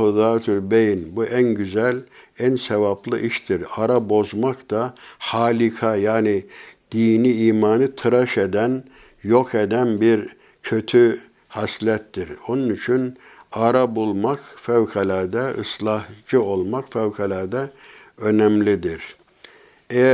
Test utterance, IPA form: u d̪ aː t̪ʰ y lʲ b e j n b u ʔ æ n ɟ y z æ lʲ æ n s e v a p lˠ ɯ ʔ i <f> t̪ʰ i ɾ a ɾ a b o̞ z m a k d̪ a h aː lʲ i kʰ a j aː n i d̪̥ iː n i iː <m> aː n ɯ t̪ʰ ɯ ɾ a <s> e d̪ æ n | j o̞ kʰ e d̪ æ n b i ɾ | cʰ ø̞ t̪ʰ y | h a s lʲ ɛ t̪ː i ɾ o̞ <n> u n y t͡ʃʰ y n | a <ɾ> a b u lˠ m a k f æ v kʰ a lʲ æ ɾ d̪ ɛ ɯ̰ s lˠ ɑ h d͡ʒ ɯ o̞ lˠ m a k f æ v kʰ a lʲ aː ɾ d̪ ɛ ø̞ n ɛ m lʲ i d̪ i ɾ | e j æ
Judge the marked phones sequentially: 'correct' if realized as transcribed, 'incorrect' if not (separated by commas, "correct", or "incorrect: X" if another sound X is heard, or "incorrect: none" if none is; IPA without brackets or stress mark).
incorrect: ʃ, correct, incorrect: ʃ, correct, correct